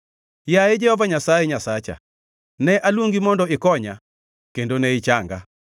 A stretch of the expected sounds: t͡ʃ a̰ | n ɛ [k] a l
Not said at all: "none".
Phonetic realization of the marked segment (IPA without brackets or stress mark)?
ʔ